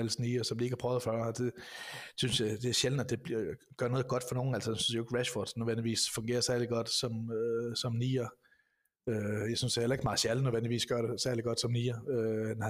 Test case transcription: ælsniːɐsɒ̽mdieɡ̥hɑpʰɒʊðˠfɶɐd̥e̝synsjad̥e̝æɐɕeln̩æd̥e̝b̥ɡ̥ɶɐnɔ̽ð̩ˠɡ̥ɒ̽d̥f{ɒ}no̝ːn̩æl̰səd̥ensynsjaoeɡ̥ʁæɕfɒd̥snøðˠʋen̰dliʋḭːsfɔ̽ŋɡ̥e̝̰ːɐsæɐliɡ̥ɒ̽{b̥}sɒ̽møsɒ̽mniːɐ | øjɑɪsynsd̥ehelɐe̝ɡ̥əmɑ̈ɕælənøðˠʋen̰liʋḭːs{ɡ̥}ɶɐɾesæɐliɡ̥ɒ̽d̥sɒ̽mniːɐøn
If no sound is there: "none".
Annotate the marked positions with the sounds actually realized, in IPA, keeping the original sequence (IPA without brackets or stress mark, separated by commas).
ɒ, d̥, ɡ̥